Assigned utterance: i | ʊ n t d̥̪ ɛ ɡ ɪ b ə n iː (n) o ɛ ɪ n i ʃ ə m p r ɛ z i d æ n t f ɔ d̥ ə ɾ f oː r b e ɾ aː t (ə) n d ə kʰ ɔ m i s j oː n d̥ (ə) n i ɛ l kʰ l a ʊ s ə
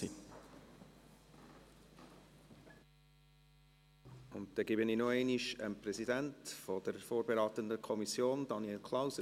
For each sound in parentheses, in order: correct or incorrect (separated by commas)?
correct, correct, incorrect